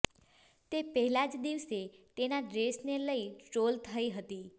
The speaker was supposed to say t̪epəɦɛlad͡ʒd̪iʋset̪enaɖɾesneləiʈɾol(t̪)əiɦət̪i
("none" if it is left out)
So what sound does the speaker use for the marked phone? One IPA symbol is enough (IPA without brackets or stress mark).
t̪ʰ